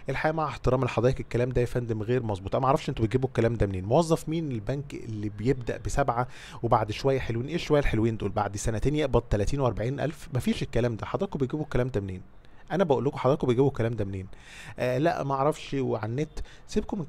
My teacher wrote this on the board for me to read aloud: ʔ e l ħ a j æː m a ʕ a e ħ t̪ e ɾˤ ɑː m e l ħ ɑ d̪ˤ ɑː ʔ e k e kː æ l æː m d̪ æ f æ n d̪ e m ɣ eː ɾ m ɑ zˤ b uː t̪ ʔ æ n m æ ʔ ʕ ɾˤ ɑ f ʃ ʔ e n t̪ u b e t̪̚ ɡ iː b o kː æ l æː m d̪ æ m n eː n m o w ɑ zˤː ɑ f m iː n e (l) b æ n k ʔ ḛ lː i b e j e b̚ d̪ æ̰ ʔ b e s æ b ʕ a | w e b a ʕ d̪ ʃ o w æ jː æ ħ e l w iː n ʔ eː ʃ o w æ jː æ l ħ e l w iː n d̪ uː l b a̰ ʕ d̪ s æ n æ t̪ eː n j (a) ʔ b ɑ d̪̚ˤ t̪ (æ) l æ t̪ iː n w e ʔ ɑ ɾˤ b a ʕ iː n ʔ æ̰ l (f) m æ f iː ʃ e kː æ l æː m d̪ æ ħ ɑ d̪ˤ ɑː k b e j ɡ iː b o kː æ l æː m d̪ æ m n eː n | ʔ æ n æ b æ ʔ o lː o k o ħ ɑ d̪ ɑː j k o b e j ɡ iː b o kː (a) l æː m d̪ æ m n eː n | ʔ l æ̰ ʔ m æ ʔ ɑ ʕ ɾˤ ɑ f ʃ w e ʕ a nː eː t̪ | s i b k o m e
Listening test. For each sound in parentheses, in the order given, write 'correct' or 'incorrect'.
correct, incorrect: e, correct, correct, incorrect: æ

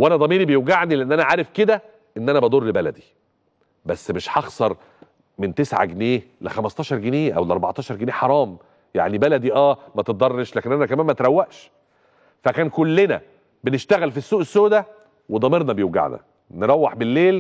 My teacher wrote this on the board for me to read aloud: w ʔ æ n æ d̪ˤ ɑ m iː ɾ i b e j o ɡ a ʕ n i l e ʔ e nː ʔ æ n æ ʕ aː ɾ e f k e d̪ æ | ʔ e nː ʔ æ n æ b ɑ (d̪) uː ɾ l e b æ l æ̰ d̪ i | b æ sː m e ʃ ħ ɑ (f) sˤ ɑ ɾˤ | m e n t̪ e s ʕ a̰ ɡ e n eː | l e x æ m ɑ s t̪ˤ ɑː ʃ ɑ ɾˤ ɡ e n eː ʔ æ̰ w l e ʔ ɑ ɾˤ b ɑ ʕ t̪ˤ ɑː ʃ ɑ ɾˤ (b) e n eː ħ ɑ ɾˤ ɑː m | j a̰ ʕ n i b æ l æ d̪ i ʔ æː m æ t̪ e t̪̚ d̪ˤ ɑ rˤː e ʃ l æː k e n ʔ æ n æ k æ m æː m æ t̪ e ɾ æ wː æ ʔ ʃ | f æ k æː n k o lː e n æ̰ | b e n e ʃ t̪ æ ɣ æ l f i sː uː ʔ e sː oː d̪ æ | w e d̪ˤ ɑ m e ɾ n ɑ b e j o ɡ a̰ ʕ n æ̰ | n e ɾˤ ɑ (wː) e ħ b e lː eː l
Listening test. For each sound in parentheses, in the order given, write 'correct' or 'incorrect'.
correct, incorrect: x, incorrect: ɡ, correct

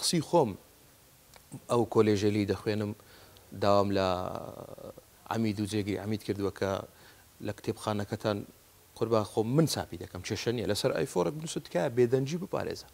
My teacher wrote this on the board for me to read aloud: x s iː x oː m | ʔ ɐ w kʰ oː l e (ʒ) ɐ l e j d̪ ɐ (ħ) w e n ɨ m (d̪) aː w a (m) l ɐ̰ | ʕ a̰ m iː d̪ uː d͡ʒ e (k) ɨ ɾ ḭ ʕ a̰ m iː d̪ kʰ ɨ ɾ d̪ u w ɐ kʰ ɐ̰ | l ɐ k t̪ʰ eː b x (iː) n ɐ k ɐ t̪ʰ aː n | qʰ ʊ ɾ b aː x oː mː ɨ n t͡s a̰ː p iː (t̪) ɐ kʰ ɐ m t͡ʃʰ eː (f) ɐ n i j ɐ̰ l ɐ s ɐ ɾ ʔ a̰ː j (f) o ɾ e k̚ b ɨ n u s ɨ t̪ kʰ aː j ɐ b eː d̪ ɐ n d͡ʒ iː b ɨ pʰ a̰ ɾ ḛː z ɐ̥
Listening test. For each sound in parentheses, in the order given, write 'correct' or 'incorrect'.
correct, incorrect: x, correct, correct, incorrect: ɡ, incorrect: aː, incorrect: d̪, incorrect: ʃ, correct

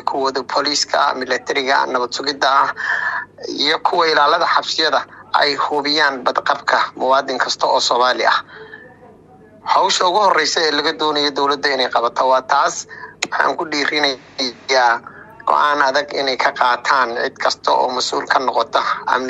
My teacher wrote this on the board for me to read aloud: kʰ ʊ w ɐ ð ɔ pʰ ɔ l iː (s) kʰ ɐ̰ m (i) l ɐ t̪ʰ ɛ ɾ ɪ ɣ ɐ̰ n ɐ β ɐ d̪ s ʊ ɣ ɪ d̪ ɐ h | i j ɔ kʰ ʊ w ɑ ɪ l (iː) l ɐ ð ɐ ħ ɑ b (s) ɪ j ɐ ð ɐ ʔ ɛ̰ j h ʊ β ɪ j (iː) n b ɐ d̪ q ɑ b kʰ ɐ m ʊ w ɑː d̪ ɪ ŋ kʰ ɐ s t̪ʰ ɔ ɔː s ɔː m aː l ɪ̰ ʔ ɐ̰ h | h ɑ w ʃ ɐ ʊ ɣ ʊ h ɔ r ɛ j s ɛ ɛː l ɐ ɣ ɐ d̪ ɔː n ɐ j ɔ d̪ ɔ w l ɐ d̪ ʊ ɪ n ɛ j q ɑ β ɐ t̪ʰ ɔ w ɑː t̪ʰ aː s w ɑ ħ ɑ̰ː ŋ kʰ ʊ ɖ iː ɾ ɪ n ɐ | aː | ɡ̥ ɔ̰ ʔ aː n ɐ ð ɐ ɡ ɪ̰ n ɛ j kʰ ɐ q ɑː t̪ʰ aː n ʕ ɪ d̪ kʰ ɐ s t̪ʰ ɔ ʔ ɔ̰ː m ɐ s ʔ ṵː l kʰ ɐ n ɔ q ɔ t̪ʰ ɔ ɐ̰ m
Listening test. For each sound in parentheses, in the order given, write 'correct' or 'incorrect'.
correct, incorrect: ɪ, incorrect: aː, correct, incorrect: aː

